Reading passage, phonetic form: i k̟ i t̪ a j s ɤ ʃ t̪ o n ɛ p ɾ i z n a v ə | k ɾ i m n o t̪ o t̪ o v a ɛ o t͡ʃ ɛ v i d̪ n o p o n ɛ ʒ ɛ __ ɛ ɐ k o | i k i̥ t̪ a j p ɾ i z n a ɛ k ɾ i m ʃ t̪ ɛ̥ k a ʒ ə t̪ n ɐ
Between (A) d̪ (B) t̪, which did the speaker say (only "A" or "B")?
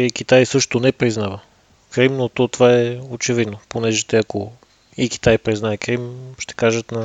B